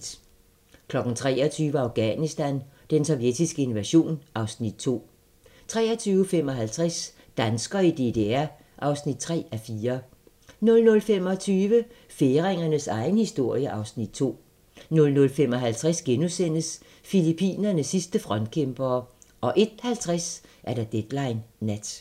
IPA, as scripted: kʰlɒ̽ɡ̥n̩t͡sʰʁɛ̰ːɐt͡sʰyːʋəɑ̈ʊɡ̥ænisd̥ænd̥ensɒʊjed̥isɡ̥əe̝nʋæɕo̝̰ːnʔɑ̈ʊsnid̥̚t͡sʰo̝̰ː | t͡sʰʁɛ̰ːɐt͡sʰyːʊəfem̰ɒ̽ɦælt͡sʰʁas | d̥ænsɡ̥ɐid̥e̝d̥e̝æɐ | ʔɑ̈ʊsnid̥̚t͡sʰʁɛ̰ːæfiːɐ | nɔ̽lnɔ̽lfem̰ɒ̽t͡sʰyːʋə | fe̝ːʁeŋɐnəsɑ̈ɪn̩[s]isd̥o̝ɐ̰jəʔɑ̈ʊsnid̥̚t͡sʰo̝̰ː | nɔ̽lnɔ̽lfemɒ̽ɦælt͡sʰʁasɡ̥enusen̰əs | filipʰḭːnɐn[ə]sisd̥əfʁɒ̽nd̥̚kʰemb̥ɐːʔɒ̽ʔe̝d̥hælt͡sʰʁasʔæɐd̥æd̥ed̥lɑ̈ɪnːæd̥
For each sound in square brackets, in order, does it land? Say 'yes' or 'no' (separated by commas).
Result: no, yes